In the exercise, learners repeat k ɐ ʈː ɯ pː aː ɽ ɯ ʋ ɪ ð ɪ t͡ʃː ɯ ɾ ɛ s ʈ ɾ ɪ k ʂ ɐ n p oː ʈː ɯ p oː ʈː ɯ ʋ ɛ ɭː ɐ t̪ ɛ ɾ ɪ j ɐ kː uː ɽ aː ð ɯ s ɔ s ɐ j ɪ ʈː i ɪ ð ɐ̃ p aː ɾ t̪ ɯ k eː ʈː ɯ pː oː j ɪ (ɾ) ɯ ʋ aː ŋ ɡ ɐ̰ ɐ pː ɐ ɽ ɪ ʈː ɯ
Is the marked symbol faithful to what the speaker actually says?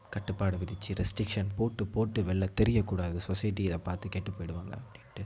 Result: no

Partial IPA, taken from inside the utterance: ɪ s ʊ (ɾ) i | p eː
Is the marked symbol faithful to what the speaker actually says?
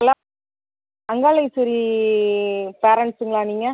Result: yes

